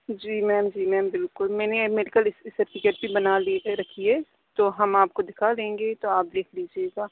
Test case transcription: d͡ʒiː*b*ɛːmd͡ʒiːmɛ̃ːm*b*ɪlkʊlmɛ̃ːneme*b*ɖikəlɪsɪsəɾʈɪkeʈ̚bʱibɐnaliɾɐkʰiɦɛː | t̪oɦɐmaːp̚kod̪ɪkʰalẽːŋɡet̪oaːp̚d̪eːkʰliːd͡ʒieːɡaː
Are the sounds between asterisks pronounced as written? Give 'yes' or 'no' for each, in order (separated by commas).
no, yes, no